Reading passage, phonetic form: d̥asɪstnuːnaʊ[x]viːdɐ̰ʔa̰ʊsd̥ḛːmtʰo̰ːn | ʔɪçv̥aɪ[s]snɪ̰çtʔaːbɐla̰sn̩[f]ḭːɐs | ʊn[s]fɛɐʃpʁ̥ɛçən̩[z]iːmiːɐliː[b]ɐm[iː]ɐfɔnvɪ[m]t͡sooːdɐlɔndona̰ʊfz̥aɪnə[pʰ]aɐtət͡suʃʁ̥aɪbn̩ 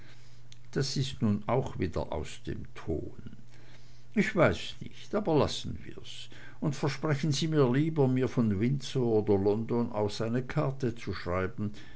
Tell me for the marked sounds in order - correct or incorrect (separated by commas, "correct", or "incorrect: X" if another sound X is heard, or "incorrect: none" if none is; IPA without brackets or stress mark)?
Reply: correct, correct, incorrect: v, incorrect: t, correct, correct, correct, incorrect: n, incorrect: kʰ